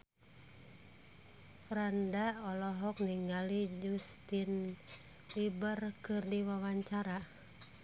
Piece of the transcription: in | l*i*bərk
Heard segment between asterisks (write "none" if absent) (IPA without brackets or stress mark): i